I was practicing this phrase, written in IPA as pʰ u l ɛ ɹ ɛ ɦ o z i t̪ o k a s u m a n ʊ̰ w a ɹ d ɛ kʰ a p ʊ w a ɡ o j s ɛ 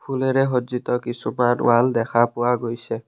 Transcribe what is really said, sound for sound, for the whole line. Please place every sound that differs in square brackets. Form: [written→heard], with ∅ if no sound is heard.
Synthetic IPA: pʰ u l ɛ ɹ ɛ ɦ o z i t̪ [o→ɔ] k [a→i] s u m a n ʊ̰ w a [ɹ→l] d ɛ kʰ a p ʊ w a ɡ o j s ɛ